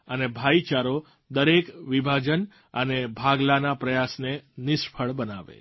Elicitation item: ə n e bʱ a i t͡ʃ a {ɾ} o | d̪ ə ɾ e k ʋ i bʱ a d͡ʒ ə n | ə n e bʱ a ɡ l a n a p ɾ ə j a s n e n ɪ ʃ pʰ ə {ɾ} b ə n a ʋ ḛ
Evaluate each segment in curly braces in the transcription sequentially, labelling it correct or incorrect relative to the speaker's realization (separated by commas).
correct, incorrect